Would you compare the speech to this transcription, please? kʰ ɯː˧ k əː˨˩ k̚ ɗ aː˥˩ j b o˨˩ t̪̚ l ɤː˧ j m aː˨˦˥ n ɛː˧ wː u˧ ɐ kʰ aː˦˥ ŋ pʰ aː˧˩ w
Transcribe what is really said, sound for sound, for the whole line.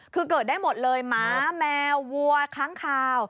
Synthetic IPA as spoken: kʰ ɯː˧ k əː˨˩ t̚ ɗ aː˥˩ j m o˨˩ t̪̚ l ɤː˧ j m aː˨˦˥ m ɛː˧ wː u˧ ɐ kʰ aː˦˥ ŋ kʰ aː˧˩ w

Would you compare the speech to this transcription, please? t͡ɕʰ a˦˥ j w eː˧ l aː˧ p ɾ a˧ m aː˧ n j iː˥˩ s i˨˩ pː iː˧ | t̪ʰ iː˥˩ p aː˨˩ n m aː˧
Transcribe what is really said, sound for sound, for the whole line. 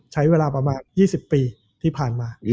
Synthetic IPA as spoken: t͡ɕʰ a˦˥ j w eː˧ l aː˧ p ɾ a˧ m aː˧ n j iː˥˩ s i˨˩ pː iː˧ | t̪ʰ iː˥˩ pʰ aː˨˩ n m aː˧

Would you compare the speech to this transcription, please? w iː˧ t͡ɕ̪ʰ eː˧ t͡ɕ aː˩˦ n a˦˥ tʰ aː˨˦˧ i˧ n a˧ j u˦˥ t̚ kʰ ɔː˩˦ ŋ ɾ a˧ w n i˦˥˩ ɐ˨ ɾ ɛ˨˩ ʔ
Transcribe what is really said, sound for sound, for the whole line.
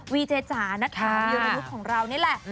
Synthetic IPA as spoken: w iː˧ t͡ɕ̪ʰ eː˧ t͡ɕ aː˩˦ n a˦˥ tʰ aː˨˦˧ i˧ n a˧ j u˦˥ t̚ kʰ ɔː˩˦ ŋ ɾ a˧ w n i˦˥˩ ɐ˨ l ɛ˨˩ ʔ

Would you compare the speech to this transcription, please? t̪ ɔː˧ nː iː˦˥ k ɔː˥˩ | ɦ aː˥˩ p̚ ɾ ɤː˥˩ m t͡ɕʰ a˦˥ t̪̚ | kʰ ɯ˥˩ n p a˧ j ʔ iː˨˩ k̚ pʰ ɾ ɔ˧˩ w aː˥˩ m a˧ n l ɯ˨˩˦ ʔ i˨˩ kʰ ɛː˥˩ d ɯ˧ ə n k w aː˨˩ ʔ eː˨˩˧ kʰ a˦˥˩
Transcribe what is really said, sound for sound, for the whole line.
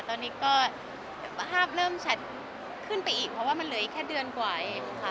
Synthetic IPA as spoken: t̪ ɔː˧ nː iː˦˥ k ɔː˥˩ | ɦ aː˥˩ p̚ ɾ ɤː˥˩ m t͡ɕʰ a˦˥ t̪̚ | kʰ ɯ˥˩ n p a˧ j ʔ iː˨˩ k̚ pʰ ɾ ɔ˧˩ w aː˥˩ m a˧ n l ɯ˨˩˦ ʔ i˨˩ kʰ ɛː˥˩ d ɯ˧ ə n k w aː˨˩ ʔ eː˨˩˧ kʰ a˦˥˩

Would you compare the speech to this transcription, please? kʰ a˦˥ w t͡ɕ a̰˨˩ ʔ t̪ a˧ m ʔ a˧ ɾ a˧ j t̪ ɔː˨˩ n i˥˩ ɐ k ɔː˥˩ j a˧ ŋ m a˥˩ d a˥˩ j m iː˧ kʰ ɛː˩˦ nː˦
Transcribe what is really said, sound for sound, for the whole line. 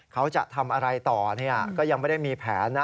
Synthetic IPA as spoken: kʰ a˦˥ w t͡ɕ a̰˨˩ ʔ t̪ʰ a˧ m ʔ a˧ ɾ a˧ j t̪ ɔː˨˩ n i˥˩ ɐ k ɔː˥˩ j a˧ ŋ m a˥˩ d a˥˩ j m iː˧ pʰ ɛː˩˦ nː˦

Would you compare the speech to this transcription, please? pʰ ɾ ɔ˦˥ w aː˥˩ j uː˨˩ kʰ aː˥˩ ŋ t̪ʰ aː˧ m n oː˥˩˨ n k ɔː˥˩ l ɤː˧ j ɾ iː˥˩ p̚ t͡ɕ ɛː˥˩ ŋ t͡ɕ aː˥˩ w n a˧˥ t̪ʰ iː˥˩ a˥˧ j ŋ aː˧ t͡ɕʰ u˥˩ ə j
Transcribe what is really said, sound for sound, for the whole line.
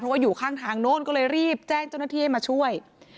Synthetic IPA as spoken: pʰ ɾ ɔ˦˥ w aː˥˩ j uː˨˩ kʰ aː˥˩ ŋ t̪ʰ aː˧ ŋ n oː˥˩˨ n k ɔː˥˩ l ɤː˧ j ɾ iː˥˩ p̚ t͡ɕ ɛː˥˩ ŋ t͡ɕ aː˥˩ w n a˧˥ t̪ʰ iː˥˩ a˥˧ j m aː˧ t͡ɕʰ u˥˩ ə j

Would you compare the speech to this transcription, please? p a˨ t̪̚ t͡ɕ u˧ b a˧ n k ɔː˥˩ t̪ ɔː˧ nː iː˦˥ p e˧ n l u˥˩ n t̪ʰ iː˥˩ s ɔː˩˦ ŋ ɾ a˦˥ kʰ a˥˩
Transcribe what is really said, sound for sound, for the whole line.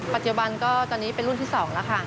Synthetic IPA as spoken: p a˨ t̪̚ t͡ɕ u˨˩ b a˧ n k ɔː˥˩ t̪ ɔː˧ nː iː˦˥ p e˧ n ɾ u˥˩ n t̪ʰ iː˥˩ s ɔː˩˦ ŋ l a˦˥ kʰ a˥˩

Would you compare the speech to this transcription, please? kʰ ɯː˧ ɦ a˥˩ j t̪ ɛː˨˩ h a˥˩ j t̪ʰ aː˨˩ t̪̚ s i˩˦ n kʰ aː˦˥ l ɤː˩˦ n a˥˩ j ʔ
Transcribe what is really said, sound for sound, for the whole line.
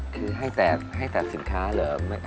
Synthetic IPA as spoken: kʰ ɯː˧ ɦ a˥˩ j t̪ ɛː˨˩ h a˥˩ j t̪ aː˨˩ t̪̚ s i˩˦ n kʰ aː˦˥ l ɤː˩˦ m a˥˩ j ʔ

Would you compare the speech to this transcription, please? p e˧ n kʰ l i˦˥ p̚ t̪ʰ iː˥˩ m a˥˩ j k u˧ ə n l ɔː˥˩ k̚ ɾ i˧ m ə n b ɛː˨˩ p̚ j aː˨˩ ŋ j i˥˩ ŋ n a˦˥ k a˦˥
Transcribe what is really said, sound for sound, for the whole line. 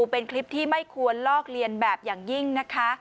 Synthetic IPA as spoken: p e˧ n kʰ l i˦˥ p̚ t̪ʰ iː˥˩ m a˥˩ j kʰ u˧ ə n l ɔː˥˩ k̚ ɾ i˧ ə n b ɛː˨˩ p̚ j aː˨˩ ŋ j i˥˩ ŋ n a˦˥ kʰ a˦˥

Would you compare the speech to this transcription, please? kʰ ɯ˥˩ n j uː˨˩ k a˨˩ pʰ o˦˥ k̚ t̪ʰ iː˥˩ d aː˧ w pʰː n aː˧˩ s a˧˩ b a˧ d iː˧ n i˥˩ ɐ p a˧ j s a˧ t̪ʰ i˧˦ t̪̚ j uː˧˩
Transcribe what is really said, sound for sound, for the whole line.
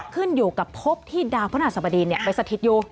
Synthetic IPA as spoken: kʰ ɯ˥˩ n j uː˨˩ k a˨˩ pʰ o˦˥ p̚ t̪ʰ iː˥˩ d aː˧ w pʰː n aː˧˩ s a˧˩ b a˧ d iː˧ n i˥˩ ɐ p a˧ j s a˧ t̪ʰ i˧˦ t̪̚ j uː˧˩

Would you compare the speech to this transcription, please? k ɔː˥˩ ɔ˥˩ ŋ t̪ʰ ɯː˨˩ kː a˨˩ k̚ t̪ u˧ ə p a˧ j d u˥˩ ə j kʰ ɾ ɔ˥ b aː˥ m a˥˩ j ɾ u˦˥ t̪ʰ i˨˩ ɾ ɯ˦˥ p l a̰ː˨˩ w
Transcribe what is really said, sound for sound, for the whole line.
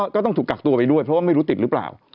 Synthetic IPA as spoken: k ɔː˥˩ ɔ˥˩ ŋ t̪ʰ uː˨˩ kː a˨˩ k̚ t̪ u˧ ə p a˧ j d u˥˩ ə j pʰ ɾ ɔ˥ w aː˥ m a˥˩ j ɾ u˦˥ t̪ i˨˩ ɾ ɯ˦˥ p l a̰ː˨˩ w

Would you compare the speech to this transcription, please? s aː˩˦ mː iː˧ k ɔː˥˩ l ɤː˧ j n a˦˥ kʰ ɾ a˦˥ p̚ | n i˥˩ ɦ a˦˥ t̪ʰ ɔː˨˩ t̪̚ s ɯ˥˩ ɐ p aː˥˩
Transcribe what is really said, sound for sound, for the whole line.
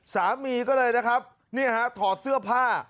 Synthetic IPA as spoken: s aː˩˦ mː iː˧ k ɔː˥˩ l ɤː˧ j n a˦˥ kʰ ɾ a˦˥ p̚ | n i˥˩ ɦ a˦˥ t̪ʰ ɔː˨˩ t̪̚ s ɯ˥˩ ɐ pʰ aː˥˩

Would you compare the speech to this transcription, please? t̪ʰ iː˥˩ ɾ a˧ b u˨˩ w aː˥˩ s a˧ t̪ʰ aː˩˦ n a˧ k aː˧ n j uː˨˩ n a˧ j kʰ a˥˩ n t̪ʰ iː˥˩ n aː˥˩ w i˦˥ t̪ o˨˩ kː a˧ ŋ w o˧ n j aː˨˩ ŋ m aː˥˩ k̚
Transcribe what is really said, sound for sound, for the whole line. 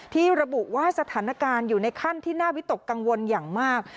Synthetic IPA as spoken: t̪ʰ iː˥˩ ɾ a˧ b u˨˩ w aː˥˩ s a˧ t̪ʰ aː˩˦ n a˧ k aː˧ n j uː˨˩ n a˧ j kʰ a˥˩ n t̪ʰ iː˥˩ n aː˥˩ w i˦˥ t̪ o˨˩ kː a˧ ŋ w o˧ n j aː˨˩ ŋ m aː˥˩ k̚

